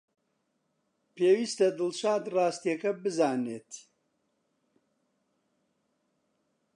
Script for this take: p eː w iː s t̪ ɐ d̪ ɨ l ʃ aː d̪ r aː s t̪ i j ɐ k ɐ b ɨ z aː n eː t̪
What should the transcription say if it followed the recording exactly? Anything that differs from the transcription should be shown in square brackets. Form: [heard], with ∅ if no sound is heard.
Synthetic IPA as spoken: p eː w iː s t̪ ɐ d̪ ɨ l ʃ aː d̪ r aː s t̪ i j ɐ k ɐ b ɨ z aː n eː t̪